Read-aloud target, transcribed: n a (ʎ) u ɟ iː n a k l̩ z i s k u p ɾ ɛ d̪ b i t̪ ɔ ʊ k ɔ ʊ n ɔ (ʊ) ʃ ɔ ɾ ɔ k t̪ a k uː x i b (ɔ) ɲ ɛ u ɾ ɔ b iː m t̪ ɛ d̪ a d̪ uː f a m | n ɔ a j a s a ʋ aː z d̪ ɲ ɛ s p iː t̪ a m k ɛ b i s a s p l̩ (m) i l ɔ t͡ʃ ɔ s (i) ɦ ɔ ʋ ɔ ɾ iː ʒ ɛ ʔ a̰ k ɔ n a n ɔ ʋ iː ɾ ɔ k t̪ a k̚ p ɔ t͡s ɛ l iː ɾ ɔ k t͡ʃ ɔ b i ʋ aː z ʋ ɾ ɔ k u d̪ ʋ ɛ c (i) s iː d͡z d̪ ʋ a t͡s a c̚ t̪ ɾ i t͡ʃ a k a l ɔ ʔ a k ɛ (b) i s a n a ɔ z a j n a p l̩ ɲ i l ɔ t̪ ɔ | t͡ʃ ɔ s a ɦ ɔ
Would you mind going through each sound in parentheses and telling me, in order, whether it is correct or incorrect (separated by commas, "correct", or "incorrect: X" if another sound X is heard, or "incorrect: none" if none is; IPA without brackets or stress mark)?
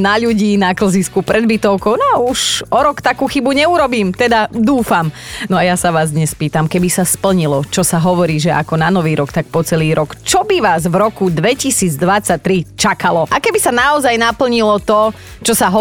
correct, incorrect: u, incorrect: u, incorrect: ɲ, incorrect: a, correct, correct